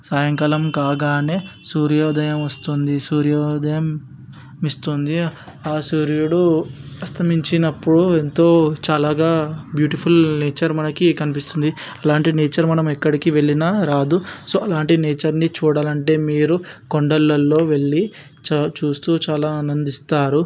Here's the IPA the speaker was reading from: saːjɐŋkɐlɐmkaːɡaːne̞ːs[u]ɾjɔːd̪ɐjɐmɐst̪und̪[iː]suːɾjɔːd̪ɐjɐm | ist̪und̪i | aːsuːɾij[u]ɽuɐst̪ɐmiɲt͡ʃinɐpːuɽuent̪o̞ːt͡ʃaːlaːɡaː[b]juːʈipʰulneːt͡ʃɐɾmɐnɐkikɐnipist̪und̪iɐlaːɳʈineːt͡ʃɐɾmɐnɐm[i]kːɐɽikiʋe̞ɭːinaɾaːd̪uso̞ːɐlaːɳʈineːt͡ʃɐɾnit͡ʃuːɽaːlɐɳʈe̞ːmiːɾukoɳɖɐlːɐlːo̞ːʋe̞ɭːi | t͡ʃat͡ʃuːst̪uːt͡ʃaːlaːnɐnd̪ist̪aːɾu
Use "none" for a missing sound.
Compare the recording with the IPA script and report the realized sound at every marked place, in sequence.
uː, i, u, b, ɛ

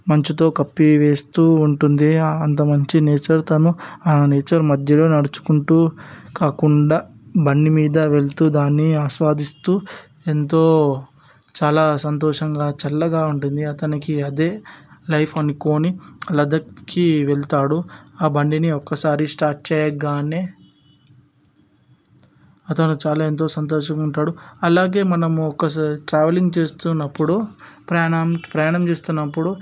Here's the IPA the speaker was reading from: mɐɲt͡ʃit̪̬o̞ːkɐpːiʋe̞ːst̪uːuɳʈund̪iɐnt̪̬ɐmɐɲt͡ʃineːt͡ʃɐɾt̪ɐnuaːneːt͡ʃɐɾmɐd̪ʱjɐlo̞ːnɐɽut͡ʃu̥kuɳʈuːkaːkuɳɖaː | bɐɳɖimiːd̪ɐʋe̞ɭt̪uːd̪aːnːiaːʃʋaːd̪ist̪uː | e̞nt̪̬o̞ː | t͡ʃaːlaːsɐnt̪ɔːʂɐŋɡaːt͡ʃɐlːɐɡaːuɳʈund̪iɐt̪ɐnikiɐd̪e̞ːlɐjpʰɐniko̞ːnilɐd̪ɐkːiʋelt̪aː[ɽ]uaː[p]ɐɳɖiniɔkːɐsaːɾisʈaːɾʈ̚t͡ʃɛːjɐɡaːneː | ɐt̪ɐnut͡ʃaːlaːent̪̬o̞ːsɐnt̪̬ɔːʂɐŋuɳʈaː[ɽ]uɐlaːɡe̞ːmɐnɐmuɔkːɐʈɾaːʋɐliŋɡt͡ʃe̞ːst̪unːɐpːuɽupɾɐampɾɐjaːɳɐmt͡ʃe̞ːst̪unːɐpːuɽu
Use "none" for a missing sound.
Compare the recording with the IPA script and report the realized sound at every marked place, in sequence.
ɽ, b, ɽ

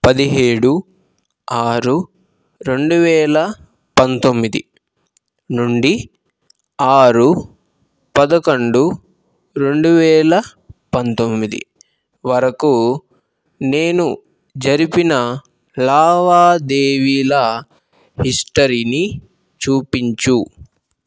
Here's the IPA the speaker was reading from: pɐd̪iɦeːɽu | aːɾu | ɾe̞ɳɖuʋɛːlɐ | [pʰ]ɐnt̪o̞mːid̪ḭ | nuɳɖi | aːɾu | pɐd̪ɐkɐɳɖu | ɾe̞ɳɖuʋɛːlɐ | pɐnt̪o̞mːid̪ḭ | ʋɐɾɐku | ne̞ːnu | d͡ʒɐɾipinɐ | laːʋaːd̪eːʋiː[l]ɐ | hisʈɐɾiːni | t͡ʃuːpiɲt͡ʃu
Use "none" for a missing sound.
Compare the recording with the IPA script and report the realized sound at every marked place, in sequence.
p, l

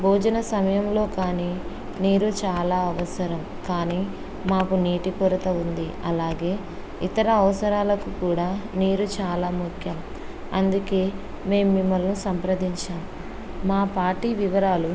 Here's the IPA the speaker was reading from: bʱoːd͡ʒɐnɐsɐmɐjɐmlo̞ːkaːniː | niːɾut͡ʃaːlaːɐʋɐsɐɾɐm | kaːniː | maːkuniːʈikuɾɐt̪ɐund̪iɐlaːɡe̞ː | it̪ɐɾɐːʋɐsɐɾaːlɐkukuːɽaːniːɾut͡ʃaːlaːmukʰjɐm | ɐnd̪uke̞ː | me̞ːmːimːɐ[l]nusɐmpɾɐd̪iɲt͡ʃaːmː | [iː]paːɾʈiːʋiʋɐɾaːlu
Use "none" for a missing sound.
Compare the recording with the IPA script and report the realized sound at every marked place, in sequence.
l, aː

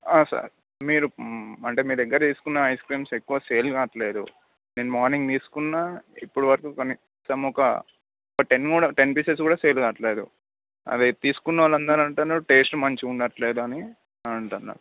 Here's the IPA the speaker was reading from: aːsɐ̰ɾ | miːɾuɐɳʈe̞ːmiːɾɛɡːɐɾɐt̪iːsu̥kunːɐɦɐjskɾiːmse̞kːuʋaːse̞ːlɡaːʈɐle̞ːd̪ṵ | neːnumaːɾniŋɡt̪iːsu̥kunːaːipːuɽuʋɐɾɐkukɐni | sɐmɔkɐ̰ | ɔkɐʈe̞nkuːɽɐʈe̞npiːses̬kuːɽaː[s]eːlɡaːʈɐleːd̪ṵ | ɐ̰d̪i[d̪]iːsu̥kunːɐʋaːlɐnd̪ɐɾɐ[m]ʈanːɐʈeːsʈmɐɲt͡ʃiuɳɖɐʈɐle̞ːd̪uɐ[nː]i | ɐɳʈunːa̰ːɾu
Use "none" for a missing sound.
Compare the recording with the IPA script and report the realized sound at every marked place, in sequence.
s, t̪, ɳ, n

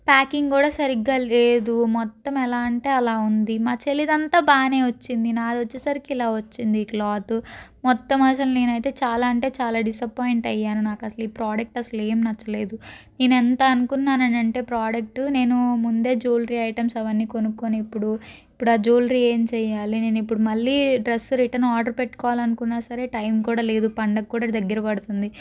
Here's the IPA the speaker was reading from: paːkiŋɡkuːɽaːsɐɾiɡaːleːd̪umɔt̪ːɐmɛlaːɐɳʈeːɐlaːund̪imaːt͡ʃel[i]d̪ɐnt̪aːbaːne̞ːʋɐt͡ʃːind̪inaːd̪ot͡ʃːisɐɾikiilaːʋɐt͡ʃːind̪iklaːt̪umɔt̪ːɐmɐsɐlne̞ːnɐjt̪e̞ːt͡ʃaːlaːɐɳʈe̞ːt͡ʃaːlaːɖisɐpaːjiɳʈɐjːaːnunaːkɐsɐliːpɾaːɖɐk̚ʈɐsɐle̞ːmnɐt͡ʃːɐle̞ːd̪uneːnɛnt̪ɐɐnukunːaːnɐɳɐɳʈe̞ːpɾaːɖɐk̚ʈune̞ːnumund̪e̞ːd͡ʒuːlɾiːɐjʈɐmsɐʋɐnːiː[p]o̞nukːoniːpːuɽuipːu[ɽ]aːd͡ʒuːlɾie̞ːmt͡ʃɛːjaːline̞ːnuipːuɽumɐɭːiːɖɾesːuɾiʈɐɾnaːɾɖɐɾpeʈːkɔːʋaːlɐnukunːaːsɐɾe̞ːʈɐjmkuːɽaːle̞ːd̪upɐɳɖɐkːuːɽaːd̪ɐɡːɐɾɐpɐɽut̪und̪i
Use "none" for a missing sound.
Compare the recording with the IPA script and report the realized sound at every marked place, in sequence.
i, k, ɽ

